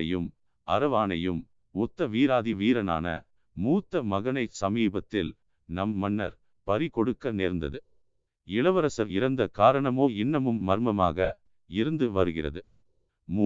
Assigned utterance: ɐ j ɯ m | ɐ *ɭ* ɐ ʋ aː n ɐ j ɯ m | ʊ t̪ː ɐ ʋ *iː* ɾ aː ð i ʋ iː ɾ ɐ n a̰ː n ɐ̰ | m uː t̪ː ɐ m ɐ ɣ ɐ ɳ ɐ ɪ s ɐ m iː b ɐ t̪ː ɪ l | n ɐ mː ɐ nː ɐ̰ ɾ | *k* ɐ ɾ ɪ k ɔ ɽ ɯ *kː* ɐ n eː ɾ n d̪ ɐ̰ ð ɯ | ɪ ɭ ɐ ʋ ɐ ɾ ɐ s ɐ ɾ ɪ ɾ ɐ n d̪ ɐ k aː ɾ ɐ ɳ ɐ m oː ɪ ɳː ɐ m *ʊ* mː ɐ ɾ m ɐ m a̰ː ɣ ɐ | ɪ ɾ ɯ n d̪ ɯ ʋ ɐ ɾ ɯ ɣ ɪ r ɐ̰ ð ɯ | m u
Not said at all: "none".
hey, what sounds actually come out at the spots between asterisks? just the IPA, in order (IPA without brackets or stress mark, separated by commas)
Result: ɾ, iː, p, kː, ɯ